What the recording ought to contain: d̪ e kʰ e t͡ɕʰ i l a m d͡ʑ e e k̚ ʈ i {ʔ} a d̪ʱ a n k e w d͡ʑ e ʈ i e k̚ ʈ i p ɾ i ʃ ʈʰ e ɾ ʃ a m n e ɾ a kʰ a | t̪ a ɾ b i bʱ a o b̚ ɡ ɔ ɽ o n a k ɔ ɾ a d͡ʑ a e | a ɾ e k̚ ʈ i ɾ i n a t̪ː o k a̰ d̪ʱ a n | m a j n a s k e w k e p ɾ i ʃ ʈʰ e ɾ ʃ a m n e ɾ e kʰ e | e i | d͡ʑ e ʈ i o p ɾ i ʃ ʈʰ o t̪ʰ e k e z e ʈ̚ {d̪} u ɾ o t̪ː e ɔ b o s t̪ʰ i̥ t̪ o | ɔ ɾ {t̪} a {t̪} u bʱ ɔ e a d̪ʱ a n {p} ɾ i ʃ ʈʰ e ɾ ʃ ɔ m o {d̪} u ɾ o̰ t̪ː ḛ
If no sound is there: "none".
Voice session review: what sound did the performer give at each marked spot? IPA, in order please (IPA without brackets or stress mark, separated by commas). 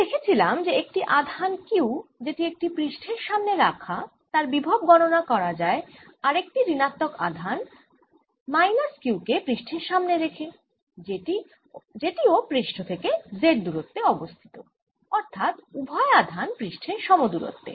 ʔ, d̪, t̪ʰ, t̪, p, d̪